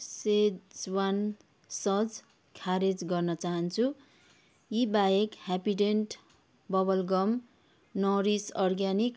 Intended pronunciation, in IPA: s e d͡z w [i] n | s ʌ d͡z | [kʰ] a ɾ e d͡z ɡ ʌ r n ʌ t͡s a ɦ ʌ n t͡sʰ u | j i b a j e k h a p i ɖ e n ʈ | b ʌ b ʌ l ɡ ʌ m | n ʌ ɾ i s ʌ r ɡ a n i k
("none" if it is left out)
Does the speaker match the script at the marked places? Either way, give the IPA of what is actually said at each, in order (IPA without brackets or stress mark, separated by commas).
a, kʰ